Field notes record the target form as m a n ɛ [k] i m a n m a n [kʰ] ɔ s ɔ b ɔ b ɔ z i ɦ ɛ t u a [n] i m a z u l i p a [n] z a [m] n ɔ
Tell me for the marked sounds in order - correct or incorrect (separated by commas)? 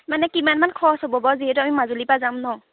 correct, correct, incorrect, incorrect, correct